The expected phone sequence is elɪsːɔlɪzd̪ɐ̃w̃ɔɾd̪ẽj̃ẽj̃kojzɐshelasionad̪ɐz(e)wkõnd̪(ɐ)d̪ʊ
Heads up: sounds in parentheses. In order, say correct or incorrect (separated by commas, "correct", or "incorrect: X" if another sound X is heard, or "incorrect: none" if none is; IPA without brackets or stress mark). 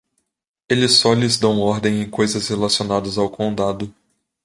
incorrect: a, incorrect: a